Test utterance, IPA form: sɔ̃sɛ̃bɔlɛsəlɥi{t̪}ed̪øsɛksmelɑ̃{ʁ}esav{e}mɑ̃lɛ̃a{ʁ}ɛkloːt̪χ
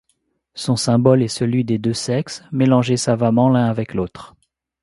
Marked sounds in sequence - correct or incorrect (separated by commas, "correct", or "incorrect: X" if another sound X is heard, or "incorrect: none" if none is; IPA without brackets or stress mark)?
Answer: incorrect: d̪, incorrect: ʒ, incorrect: a, incorrect: v